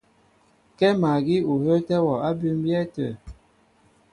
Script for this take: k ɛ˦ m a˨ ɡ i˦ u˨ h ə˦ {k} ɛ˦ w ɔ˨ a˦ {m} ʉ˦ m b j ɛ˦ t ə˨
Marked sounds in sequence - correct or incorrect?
incorrect, incorrect

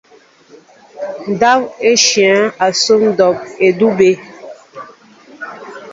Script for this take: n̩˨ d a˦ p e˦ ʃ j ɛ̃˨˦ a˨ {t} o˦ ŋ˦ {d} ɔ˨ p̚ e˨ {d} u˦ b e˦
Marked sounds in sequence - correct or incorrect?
incorrect, correct, correct

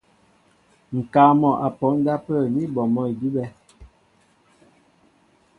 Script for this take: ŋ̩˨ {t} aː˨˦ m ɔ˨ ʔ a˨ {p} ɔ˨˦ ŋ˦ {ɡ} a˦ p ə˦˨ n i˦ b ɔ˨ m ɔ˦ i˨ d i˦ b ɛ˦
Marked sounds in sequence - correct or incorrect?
incorrect, correct, incorrect

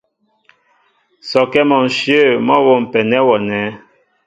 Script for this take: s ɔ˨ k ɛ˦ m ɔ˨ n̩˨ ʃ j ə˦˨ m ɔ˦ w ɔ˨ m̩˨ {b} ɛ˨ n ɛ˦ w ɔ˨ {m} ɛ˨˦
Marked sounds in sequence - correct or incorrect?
incorrect, incorrect

